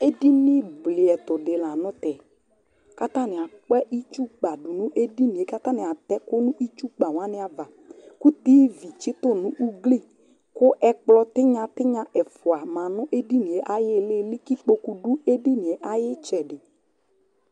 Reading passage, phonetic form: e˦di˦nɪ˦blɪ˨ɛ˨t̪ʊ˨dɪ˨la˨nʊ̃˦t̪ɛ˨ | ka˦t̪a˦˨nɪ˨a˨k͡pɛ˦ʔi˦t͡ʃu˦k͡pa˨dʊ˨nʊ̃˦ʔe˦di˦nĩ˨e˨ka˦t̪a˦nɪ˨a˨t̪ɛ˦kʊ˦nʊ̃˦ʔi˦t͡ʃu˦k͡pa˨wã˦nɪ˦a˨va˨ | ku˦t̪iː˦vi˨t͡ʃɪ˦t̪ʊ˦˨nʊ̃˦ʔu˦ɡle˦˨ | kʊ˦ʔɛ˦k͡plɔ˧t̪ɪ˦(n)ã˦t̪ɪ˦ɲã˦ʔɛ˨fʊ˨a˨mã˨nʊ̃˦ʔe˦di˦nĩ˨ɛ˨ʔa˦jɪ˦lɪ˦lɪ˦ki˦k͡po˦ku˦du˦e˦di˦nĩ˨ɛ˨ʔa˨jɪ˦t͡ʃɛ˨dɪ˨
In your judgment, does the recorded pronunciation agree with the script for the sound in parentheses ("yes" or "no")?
no